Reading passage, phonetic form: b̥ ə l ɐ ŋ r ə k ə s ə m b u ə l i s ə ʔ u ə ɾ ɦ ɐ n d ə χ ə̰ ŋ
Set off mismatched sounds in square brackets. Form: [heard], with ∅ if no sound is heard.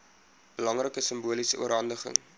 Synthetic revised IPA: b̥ ə l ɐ ŋ r ə k ə s ə m b u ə l i s ə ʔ u ə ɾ ɦ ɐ n d ə χ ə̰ ŋ